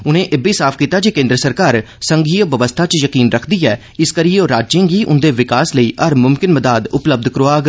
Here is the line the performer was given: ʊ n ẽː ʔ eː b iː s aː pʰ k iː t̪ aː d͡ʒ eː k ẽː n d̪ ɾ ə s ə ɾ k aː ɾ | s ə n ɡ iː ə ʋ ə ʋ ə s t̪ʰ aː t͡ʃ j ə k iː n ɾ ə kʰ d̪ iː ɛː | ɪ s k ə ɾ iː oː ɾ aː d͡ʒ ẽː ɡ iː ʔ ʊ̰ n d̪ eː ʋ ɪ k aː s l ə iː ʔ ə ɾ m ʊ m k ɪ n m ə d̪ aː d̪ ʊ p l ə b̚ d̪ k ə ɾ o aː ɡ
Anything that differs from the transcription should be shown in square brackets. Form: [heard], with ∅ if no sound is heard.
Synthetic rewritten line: ʊ n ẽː ʔ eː b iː s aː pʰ k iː t̪ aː d͡ʒ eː k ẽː n d̪ ɾ ə s ə ɾ k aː ɾ | s ə [ŋ] ɡ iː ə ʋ ə ʋ ə s t̪ʰ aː t͡ʃ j ə k iː n ɾ ə kʰ d̪ iː ɛː | ɪ s k ə ɾ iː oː ɾ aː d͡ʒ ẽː ɡ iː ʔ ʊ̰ n d̪ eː ʋ ɪ k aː s l ə iː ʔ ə ɾ m ʊ m k ɪ n m ə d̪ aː d̪ ʊ p l ə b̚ d̪ k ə ɾ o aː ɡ